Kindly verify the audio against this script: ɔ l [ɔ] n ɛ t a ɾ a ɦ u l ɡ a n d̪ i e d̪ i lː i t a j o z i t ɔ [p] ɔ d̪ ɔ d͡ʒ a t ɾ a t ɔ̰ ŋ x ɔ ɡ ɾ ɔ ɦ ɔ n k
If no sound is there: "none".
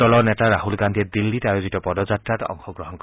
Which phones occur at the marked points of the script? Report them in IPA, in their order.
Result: ɔ, p

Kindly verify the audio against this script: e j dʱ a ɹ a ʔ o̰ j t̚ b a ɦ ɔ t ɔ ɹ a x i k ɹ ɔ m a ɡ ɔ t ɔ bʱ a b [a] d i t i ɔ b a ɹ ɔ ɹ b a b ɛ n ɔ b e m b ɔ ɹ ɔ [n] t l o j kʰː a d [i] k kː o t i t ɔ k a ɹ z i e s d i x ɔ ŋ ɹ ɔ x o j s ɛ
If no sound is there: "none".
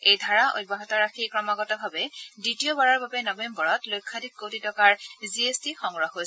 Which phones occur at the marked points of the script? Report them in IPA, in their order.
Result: ɛ, none, i

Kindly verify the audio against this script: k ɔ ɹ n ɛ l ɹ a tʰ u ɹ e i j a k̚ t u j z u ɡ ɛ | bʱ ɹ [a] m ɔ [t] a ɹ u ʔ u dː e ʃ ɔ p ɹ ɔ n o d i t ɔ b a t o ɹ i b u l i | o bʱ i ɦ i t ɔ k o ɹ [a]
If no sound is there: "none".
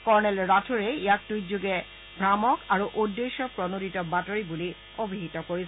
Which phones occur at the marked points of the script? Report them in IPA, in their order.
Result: a, k, i

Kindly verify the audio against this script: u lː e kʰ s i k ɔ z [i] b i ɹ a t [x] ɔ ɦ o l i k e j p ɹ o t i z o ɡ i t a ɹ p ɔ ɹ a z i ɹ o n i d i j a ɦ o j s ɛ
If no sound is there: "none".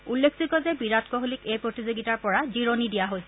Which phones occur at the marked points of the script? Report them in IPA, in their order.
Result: ɛ, k

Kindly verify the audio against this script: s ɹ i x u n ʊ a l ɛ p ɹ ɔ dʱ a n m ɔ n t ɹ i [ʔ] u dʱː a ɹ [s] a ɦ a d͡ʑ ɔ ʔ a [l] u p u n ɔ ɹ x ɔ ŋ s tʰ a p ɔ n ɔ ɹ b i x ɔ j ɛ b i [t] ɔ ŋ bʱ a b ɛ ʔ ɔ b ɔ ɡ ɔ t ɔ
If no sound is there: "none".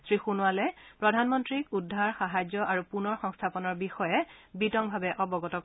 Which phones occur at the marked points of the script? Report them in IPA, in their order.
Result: k, x, ɹ, t

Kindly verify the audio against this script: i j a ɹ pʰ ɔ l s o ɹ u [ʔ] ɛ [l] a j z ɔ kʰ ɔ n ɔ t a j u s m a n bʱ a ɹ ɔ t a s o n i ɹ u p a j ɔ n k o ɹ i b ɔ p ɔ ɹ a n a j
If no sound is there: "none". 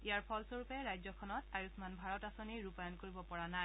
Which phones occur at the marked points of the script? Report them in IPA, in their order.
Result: p, ɹ

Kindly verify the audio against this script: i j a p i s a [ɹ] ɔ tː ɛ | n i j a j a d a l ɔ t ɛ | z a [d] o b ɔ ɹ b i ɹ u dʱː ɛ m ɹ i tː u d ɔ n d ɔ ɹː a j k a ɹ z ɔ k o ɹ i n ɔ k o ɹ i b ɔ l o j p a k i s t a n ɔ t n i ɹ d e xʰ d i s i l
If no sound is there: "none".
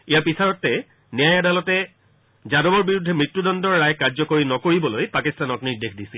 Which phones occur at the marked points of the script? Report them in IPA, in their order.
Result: ɹ, d

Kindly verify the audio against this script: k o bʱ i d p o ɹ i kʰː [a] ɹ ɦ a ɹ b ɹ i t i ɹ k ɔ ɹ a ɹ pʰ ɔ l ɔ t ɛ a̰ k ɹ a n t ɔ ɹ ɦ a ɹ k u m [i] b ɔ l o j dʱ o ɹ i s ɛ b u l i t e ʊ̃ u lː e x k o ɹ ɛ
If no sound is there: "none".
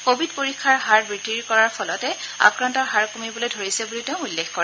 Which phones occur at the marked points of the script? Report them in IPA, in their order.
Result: a, i

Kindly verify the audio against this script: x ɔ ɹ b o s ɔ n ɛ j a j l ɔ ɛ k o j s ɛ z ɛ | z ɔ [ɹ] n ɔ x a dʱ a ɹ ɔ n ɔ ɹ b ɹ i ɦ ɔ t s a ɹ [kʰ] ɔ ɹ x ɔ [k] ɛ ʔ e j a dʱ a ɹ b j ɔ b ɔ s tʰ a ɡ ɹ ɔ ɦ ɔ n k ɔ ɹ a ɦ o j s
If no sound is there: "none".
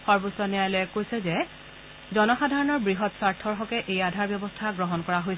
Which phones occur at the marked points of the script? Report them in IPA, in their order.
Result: none, tʰ, k

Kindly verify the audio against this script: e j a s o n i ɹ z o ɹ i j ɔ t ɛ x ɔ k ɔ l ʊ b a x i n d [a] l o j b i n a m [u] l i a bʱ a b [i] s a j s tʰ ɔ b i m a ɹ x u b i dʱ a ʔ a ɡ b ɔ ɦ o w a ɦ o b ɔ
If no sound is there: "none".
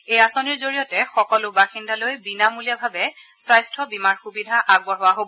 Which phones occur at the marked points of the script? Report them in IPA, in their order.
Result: a, u, ɛ

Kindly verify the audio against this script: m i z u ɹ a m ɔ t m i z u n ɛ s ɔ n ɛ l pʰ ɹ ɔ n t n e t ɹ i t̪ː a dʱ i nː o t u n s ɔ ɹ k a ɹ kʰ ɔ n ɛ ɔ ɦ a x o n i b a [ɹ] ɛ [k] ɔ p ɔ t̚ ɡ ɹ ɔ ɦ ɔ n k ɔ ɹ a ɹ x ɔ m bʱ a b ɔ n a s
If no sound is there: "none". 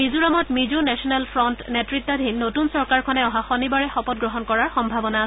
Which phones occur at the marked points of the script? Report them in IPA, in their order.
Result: ɹ, x

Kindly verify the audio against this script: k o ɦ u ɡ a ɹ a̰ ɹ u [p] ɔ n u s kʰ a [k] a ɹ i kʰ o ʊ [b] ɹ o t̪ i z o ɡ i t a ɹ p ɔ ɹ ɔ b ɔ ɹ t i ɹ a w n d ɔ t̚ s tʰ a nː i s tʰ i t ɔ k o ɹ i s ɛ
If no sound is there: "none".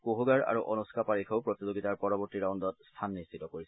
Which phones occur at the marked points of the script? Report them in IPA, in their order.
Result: ʔ, p, p

